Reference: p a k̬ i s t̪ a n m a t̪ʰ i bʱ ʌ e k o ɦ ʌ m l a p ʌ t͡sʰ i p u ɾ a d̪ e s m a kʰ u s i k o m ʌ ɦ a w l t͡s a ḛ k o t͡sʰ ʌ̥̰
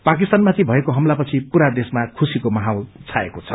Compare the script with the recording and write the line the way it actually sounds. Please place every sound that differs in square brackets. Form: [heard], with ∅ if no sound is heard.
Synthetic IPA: p a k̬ i s t̪ a n m a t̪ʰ i bʱ ʌ e k o ɦ ʌ m l a p ʌ t͡sʰ i p u ɾ a d̪ e s m a kʰ u s i k o m ʌ ɦ a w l [t͡sʰ] a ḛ k o t͡sʰ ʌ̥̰